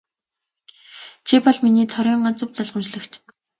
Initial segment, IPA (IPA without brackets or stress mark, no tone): t͡ɕʰ